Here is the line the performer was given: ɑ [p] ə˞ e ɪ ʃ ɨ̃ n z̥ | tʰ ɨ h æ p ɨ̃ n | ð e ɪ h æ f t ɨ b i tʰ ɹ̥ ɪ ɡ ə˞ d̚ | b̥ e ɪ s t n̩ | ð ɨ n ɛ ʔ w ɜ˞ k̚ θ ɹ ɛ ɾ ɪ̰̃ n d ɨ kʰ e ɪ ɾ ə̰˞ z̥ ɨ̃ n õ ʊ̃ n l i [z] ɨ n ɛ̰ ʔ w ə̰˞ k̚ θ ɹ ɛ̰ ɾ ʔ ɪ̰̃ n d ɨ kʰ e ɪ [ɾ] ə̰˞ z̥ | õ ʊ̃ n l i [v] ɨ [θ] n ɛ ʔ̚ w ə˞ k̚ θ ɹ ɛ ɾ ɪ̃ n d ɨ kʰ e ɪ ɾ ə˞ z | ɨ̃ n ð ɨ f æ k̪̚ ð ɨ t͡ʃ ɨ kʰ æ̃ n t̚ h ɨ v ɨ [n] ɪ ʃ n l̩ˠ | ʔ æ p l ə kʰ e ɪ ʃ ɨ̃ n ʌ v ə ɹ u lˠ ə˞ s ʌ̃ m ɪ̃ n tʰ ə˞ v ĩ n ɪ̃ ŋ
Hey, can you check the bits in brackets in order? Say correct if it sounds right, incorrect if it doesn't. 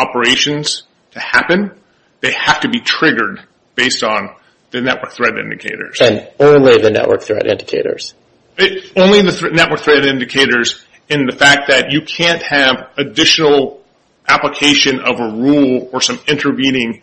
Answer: correct, incorrect: ð, correct, incorrect: ð, correct, incorrect: d

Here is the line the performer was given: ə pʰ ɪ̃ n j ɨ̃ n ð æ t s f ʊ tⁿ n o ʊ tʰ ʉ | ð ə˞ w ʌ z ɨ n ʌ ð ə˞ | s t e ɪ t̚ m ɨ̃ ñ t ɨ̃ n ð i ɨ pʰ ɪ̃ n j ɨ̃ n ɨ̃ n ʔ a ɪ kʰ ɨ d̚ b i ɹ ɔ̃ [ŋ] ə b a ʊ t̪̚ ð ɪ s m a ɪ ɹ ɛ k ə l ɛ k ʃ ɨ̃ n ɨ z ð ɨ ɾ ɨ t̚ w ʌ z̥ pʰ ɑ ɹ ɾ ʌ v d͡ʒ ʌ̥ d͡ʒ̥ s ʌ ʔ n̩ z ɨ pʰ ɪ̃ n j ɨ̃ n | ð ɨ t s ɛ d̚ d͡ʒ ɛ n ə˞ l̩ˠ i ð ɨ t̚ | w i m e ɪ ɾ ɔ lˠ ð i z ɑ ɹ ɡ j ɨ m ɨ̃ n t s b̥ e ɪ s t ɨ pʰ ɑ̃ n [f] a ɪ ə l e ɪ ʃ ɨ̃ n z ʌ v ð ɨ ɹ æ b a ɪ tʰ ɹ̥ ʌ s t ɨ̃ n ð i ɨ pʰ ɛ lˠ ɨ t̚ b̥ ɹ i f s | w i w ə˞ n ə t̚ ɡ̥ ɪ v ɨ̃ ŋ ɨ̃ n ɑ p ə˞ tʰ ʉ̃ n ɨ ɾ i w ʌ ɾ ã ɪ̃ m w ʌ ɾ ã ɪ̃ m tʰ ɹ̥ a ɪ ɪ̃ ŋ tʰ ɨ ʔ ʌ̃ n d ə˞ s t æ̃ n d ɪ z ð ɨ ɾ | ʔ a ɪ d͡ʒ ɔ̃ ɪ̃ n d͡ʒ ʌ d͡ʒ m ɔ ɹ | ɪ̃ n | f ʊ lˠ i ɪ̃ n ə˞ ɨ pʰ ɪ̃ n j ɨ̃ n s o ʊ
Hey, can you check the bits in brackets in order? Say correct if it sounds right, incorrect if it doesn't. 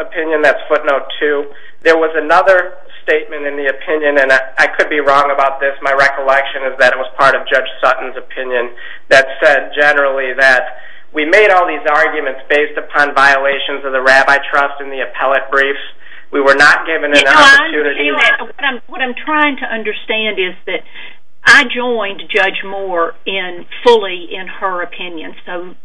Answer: correct, incorrect: v

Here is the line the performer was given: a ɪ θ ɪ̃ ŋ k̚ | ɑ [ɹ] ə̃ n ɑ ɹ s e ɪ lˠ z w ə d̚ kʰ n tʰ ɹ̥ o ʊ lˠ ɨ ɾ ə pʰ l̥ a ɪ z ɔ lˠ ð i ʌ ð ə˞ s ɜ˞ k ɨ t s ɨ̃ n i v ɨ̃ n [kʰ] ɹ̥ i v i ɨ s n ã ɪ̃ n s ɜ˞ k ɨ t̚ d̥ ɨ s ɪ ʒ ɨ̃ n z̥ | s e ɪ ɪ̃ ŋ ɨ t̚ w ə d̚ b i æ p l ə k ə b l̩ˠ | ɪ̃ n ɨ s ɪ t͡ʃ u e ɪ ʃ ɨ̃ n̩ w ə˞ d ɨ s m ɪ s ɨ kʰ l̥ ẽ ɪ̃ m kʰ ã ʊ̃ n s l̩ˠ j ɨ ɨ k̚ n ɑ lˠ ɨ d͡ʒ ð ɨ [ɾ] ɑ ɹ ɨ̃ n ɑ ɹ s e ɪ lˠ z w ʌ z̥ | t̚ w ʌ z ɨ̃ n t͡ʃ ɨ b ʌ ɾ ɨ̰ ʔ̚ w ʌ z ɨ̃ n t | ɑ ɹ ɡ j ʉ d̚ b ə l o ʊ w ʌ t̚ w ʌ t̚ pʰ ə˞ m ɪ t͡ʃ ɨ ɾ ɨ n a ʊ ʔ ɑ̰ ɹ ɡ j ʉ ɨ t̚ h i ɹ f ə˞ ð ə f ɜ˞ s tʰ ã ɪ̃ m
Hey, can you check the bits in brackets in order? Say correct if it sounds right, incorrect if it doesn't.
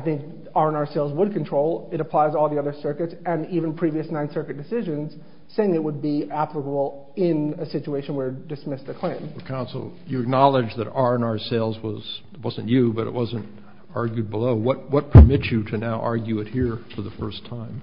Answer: correct, incorrect: pʰ, correct

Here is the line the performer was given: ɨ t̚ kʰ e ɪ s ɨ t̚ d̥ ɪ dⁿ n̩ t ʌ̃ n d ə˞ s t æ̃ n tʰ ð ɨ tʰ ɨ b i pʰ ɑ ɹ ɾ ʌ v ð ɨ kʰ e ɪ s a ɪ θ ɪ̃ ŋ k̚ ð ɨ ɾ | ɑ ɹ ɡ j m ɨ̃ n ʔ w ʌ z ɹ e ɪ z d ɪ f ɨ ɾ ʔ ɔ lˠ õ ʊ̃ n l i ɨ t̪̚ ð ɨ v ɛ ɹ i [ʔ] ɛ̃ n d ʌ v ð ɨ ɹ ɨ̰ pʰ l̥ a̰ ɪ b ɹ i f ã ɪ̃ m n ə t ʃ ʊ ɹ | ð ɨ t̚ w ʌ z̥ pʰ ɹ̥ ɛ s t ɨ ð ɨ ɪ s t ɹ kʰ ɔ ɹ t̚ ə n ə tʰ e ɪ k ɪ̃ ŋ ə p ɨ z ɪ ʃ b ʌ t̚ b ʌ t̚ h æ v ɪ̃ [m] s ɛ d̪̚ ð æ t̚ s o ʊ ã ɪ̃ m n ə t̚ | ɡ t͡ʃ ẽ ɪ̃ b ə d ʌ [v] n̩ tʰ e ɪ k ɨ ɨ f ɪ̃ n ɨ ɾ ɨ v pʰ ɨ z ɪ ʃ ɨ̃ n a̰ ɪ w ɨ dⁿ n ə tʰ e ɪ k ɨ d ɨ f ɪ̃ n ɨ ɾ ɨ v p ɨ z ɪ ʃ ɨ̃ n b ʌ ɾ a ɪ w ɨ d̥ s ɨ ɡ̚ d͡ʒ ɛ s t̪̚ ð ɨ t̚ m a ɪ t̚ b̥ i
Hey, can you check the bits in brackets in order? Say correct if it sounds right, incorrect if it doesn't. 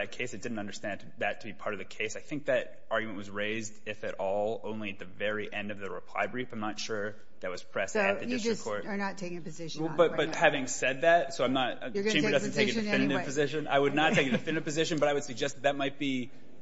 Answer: correct, incorrect: ŋ, incorrect: z

